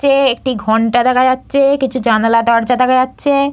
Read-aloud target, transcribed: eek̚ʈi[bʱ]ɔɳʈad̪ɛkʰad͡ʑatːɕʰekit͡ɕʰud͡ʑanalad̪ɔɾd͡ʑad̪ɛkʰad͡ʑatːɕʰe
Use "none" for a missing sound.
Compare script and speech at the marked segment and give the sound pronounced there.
ɡʱ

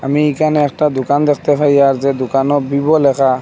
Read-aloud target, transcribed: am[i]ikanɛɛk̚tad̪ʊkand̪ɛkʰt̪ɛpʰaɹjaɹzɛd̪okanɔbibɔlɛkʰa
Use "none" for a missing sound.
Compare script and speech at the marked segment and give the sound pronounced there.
i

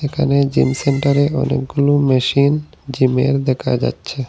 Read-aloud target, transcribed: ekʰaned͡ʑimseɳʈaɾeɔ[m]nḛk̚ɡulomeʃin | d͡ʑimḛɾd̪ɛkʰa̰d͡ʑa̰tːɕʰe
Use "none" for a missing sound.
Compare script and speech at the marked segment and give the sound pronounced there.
none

